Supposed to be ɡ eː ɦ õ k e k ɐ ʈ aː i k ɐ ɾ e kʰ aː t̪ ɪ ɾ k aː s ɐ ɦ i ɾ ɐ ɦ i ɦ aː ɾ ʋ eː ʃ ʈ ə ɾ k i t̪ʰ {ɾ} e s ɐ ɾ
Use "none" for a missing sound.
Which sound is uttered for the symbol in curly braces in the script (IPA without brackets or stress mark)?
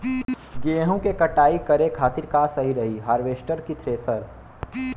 ɾ